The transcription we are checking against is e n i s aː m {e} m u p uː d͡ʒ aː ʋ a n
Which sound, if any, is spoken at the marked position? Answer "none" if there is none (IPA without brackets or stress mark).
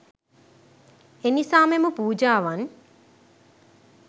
e